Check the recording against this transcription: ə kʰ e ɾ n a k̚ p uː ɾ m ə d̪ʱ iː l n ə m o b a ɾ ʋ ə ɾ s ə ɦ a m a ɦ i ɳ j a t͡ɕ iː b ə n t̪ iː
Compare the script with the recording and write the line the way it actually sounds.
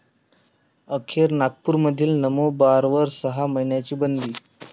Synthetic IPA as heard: ə kʰ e ɾ n a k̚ p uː ɾ m ə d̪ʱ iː l n ə m o b a ɾ ʋ ə ɾ s ə ɦ a m ə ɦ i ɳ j a t͡ɕ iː b ə n d̪ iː

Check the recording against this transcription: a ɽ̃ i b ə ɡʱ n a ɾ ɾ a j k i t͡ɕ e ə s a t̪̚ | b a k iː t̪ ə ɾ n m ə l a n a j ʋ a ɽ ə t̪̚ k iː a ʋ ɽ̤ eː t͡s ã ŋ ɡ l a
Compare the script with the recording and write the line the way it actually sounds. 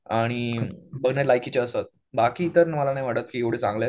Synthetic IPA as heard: a ɽ̃ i b ə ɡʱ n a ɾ l a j k i t͡ɕ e ə s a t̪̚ | b a k iː t̪ ə ɾ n m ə l a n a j ʋ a ɽ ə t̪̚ k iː e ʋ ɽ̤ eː t͡s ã ŋ ɡ l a

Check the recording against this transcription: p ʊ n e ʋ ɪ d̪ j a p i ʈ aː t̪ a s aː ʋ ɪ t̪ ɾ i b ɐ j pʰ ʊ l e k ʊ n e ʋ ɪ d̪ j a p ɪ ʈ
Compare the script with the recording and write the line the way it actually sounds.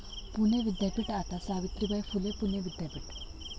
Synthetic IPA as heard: p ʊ n e ʋ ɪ d̪ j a p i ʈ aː t̪ a s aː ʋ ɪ t̪ ɾ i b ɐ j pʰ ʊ l e p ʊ n e ʋ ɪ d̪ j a p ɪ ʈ

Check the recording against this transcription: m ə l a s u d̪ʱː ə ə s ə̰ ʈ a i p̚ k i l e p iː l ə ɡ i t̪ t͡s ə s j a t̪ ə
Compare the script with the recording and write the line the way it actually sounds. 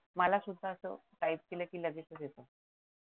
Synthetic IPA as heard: m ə l a s u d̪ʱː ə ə s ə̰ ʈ a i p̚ k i l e k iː l ə ɡ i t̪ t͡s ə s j e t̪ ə

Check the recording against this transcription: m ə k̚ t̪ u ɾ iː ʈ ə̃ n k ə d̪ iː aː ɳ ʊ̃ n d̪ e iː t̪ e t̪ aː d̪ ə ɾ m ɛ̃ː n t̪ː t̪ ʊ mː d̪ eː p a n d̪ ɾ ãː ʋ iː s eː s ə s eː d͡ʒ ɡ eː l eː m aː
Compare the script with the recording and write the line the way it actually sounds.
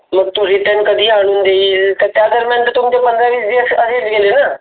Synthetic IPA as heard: m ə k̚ t̪ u ɾ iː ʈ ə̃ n k ə d̪ iː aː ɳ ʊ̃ n d̪ e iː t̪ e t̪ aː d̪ ə ɾ m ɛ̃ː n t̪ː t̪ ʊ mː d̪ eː p ə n d̪ ɾ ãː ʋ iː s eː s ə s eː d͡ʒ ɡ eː l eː n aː

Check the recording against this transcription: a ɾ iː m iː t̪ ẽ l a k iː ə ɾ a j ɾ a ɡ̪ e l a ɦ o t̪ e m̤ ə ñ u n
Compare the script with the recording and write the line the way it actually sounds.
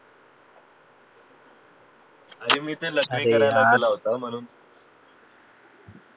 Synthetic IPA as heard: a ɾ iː m iː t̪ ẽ l ə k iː ə ɾ a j l a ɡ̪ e l a ɦ o t̪ a m̤ ə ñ uː n

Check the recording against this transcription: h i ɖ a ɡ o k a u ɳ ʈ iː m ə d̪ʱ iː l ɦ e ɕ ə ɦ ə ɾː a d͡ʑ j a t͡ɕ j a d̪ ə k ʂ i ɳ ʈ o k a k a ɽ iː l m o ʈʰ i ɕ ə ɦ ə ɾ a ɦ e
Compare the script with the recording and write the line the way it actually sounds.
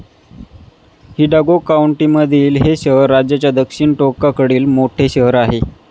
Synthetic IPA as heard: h i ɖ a ɡ o k a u ɳ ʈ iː m ə d̪ʱ iː l ɦ e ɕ ə ɦ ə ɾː a d͡ʑ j a t͡ɕ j a d̪ ə k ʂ i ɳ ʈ o k a k ə ɽ iː l m o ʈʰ e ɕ ə ɦ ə ɾ a ɦ e

